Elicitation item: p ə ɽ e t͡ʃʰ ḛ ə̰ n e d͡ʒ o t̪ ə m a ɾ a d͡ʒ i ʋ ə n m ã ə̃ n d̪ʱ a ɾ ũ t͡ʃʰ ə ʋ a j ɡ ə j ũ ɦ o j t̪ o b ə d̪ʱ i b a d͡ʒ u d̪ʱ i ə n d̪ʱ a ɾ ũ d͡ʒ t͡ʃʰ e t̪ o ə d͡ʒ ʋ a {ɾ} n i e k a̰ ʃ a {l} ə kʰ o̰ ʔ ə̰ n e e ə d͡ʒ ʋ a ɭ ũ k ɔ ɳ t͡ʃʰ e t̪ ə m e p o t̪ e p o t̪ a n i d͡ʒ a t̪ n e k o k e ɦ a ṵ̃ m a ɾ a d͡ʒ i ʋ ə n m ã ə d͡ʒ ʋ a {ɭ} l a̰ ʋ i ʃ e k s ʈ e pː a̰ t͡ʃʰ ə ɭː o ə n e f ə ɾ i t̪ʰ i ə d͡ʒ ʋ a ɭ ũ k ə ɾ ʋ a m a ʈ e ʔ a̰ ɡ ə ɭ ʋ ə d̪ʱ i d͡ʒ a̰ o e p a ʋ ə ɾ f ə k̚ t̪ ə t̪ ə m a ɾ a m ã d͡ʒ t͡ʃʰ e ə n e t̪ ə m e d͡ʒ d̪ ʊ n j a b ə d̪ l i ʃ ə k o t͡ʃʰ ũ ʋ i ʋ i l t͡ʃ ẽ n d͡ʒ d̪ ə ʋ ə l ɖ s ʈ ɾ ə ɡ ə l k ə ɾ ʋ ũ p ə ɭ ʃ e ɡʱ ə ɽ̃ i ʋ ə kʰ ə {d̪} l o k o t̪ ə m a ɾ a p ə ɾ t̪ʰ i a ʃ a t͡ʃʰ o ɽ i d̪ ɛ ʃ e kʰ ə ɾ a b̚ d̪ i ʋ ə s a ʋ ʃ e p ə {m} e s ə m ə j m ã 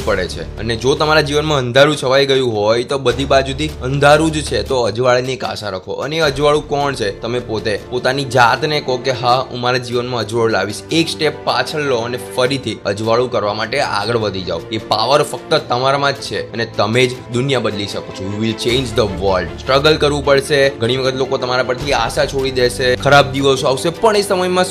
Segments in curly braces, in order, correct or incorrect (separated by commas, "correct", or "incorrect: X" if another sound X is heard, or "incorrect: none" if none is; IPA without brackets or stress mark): incorrect: ɭ, incorrect: ɾ, correct, incorrect: t̪, incorrect: ɳ